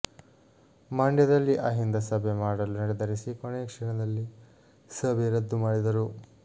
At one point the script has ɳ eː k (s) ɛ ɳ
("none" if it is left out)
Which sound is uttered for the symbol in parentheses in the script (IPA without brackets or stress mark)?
ʂ